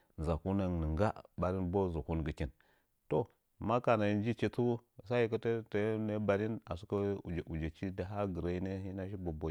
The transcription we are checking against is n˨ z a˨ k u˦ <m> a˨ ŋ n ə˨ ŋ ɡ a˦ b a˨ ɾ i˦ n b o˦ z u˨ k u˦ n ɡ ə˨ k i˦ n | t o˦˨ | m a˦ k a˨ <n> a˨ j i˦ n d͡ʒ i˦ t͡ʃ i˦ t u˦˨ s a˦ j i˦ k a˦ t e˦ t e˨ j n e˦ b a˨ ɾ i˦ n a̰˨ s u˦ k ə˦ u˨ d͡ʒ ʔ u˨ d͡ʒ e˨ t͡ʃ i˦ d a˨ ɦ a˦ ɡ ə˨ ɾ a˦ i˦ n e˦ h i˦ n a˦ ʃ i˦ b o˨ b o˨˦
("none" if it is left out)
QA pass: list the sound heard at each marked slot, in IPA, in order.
n, n

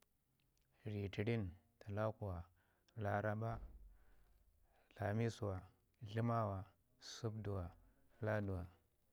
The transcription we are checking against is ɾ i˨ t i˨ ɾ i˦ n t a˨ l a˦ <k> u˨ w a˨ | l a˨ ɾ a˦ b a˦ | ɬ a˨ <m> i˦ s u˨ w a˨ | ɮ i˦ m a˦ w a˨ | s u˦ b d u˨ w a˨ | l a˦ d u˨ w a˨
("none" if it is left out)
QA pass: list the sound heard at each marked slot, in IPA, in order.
k, m

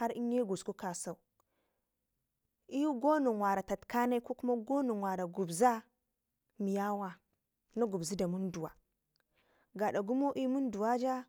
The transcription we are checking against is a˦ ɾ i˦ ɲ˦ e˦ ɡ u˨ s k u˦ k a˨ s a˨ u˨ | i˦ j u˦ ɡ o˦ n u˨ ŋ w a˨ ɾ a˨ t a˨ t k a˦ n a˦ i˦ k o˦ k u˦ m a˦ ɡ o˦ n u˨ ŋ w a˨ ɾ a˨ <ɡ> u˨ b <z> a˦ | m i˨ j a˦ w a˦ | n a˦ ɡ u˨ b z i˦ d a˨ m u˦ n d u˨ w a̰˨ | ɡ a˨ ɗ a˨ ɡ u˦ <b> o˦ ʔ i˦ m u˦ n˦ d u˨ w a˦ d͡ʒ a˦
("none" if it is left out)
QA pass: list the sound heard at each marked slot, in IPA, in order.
ɡ, z, m

